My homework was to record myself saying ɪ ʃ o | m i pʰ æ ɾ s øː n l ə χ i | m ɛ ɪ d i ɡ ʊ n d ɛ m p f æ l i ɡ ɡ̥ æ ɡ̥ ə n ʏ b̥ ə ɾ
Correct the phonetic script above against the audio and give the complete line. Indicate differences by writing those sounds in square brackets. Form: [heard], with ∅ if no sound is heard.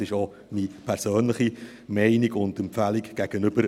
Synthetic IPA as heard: ɪ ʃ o | m i pʰ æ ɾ s øː n l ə χ i | m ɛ ɪ [n] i ɡ ʊ n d ɛ m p f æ l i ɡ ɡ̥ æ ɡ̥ ə n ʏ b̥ ə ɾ

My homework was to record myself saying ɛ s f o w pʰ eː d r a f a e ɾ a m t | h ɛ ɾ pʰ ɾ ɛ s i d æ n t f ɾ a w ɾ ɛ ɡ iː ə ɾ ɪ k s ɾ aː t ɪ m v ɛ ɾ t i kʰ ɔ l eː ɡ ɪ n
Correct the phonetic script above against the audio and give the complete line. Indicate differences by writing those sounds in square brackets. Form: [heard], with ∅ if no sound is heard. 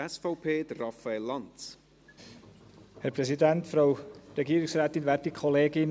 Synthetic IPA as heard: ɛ s f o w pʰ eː d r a f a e [l] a [n] t | h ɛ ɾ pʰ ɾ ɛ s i d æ n t f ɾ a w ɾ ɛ ɡ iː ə ɾ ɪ k s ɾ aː t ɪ [n] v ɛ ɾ t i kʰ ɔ l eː ɡ ɪ n

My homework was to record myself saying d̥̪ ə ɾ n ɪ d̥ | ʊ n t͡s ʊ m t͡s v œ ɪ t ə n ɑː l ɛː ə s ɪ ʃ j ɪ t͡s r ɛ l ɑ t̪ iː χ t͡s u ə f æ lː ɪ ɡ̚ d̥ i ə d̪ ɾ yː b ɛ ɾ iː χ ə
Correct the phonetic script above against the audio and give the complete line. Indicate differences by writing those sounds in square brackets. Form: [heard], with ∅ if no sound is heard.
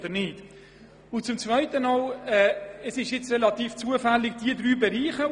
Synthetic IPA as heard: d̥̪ ə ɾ n ɪ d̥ | ʊ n t͡s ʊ m t͡s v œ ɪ t ə n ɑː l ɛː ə s ɪ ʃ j ɪ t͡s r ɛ l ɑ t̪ iː [f] t͡s u ə f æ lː ɪ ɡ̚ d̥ i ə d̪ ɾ yː b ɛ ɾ iː χ ə

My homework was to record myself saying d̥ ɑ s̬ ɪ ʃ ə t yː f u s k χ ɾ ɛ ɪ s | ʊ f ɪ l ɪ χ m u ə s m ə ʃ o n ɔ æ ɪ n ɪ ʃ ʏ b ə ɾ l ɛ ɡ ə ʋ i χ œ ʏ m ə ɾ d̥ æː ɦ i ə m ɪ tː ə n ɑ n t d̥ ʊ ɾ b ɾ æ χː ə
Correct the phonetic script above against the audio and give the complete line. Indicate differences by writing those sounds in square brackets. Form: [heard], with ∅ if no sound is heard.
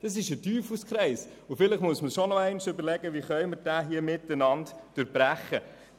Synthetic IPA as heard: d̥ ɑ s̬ ɪ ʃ ə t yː f u s k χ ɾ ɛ ɪ s | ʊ f ɪ l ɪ χ m u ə s m ə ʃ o n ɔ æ ɪ n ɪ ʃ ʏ b ə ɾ l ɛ ɡ ə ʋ i χ œ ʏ m ə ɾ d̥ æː ɦ i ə m ɪ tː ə n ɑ n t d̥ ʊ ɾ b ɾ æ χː ə

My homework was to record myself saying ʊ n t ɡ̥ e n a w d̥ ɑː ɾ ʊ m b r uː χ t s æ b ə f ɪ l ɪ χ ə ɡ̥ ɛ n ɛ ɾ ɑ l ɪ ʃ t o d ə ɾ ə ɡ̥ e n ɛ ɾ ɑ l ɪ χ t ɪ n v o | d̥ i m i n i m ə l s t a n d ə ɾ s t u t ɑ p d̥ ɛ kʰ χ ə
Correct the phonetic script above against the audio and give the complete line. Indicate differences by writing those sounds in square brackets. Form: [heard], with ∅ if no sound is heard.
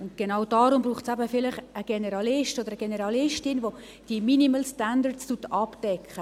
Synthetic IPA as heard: ʊ n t ɡ̥ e n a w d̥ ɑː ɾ ʊ m b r uː χ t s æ b ə f ɪ l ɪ χ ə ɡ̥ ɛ n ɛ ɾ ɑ l ɪ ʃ t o d ə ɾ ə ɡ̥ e n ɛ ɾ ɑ l ɪ [ʃ] t ɪ n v o | d̥ i m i n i m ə l s t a n d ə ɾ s t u t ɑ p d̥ ɛ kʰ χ ə

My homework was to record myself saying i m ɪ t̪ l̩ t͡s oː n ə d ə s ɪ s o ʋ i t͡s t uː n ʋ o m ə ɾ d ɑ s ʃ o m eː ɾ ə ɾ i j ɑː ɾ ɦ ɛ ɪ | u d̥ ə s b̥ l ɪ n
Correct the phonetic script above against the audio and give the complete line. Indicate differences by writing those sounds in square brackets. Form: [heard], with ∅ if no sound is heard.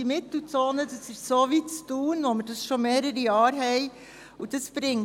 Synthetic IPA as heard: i m ɪ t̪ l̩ t͡s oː n ə d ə s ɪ s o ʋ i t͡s t uː n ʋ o m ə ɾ d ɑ s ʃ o m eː ɾ ə ɾ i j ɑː ɾ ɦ ɛ ɪ | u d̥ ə s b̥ [ɾ] ɪ [ŋ]

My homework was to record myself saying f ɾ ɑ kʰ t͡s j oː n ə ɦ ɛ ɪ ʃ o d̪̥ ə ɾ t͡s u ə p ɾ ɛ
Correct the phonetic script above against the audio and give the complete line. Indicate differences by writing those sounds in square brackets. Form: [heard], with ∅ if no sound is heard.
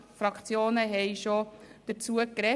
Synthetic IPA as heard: f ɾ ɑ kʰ t͡s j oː n ə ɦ ɛ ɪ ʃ o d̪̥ ə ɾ t͡s u ə [k] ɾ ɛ

